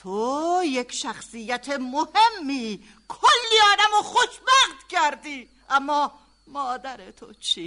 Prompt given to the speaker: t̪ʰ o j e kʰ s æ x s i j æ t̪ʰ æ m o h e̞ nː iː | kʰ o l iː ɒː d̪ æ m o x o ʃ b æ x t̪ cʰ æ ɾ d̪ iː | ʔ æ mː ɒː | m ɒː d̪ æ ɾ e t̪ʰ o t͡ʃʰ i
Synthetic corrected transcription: t̪ʰ o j e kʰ ʃ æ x s i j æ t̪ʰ e m o h e̞ mː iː | kʰ o lː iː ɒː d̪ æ m o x o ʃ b æ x t̪ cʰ æ ɾ d̪ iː | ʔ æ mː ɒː | m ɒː d̪ æ ɾ e t̪ʰ o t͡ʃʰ i